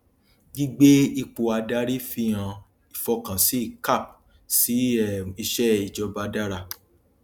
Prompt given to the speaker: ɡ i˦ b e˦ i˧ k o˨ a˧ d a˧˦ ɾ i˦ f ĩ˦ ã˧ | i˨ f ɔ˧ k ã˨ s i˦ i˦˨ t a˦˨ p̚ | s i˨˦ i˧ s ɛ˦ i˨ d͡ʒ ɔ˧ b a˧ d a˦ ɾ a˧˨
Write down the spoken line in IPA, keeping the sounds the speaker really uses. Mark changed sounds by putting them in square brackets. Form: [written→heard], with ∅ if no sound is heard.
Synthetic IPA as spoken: ɡ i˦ [b→ɡ͡b] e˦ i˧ [k→k͡p] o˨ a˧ d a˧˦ ɾ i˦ f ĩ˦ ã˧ | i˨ f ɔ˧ k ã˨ s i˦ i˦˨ [t→k] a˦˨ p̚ | s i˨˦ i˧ [s→ʃ] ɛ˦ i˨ d͡ʒ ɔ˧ b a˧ d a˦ ɾ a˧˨

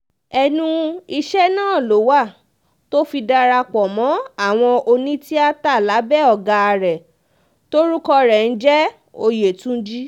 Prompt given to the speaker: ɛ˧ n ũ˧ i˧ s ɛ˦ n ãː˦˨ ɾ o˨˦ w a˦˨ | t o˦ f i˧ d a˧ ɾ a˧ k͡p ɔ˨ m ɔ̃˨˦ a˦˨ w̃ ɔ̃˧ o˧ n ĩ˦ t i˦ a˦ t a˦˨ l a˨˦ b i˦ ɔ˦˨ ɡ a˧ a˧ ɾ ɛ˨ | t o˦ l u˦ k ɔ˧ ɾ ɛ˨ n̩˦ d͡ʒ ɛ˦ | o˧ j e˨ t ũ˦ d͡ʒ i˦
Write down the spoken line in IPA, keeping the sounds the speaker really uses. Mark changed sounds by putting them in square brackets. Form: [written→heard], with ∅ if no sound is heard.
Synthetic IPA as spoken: ɛ˧ n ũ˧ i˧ [s→ʃ] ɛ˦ n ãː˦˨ [ɾ→l] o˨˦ w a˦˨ | t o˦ f i˧ d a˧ ɾ a˧ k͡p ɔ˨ m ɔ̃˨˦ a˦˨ w̃ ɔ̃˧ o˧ n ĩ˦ t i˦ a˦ t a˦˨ l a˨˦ b [i˦→ɛ˦] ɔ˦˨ ɡ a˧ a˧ ɾ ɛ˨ | t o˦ [l→ɾ] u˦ k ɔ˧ ɾ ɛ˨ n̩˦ d͡ʒ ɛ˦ | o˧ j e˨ t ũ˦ d͡ʒ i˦

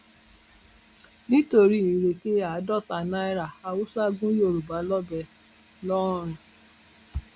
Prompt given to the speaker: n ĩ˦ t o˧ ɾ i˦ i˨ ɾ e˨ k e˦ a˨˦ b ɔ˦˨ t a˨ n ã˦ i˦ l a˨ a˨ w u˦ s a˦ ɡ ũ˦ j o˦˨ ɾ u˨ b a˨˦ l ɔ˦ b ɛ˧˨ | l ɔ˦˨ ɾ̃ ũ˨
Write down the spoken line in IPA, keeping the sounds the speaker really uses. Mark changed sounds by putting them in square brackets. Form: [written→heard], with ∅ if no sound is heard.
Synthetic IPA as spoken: n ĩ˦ t o˧ ɾ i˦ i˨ ɾ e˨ k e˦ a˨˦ [b→d] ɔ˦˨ t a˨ n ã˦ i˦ [l→ɾ] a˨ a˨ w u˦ s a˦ ɡ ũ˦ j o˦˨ ɾ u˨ b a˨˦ l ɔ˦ b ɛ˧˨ | l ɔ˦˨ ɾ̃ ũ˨

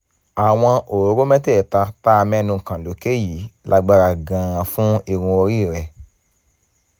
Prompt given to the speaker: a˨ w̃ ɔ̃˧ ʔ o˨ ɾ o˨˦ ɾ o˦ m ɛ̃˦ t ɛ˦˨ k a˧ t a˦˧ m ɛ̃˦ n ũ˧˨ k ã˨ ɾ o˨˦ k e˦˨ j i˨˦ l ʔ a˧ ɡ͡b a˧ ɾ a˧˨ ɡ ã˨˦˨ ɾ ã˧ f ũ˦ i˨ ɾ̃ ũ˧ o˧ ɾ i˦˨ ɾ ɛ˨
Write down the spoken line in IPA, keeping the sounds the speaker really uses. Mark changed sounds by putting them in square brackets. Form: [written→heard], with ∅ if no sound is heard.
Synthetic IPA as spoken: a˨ w̃ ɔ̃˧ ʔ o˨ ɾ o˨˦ ɾ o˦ m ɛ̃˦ t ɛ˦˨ [k→t] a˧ t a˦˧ m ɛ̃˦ n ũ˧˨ k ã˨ [ɾ→l] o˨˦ k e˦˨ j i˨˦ l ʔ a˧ ɡ͡b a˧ ɾ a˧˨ ɡ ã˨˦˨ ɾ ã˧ f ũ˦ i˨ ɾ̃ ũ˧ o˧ ɾ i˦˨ ɾ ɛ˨

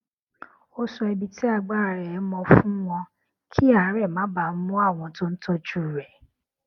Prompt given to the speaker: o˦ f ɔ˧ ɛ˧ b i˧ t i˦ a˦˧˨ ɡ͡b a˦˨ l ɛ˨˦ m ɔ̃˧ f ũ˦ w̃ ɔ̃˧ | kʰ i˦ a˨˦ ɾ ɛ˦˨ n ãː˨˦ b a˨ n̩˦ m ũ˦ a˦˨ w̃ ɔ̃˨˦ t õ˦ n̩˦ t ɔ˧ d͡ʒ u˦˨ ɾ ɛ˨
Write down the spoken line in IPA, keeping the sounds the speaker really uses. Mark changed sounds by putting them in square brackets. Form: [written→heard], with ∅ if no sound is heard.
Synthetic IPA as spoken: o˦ [f→s] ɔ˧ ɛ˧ b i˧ t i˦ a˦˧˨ ɡ͡b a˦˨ [l→ɾ] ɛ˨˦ m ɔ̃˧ f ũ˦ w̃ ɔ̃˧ | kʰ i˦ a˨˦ ɾ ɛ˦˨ [n→m] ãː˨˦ b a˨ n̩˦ m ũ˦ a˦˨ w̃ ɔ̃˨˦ t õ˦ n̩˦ t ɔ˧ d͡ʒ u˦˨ ɾ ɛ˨

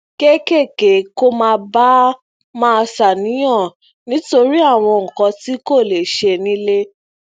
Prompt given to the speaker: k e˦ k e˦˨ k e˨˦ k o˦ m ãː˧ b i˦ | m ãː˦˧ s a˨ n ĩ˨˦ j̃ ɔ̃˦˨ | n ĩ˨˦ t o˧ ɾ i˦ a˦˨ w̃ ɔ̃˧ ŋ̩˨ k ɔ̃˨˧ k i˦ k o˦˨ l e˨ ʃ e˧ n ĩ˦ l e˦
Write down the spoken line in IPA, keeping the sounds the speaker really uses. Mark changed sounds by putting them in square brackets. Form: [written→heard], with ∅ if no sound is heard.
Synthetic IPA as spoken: k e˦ k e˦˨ k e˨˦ k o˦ m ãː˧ b [i˦→a˦] | m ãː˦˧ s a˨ n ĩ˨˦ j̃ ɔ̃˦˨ | n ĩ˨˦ t o˧ ɾ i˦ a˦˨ w̃ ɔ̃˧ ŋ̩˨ k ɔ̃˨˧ [k→t] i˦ k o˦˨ l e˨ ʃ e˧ n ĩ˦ l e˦

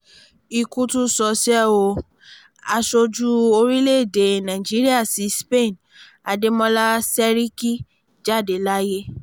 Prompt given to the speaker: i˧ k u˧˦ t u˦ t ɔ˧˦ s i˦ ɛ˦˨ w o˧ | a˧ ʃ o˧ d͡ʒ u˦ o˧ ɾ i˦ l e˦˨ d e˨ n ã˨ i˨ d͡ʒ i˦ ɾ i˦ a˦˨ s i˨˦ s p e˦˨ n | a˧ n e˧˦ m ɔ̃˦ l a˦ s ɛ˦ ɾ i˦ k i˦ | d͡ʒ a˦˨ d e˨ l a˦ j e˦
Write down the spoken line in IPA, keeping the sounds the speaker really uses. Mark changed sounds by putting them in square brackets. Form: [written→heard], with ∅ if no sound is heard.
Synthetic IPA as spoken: i˧ k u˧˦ t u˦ [t→s] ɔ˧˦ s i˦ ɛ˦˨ w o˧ | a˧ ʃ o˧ d͡ʒ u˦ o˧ ɾ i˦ l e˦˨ d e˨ n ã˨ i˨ d͡ʒ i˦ ɾ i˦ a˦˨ s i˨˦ s p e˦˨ n | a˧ [n→d] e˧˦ m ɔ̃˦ l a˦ s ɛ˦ ɾ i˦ k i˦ | d͡ʒ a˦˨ d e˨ l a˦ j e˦

